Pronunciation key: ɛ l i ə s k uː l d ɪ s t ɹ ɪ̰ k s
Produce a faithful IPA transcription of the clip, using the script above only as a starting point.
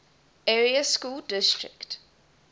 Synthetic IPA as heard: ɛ ɹ i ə s k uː l d ɪ s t ɹ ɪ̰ k t